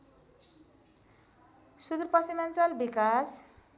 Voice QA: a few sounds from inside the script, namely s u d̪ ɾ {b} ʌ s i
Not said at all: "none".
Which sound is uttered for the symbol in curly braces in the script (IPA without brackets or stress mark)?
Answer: p